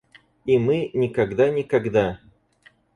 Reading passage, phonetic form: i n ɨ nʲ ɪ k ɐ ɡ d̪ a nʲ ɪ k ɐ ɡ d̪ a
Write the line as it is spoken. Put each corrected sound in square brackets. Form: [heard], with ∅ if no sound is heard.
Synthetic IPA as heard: i [m] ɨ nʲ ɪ k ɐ ɡ d̪ a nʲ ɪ k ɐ ɡ d̪ a